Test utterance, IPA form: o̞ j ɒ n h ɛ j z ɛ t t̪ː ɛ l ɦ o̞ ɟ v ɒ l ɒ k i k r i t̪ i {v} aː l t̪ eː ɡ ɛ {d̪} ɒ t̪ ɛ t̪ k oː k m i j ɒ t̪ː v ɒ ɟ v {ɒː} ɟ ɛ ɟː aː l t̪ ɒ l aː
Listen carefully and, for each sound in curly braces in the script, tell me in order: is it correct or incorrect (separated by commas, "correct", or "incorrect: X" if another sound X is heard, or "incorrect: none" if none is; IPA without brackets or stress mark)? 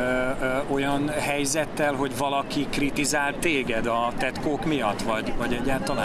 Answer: incorrect: z, correct, incorrect: ɒ